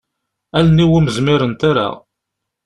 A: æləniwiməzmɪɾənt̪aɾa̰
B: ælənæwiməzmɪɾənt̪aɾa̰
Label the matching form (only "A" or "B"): A